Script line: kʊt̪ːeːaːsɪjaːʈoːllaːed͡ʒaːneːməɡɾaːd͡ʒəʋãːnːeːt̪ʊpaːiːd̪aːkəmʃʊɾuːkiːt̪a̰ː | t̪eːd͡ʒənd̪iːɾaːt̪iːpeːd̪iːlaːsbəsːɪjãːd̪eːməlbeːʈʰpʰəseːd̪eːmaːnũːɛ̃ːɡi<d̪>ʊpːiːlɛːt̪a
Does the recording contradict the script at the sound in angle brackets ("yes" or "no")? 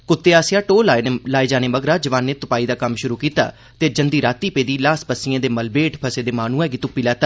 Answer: yes